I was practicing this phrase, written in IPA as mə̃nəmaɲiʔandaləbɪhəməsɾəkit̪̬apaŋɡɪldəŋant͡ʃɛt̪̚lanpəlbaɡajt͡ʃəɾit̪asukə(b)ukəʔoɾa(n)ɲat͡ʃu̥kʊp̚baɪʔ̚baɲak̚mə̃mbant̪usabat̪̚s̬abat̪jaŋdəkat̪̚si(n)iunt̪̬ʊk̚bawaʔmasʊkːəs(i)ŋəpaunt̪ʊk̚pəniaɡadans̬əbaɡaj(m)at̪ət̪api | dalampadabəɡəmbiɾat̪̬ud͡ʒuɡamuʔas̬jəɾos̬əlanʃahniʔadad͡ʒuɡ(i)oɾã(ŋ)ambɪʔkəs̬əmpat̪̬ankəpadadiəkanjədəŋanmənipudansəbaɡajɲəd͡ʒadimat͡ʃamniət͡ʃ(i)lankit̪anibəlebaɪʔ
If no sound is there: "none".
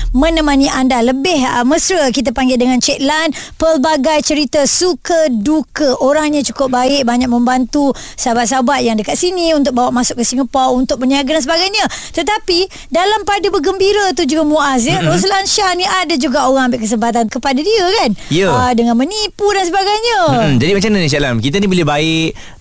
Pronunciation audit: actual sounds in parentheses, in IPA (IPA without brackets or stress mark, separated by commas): d, ŋ, n, i, ɲ, a, ŋ, ɛ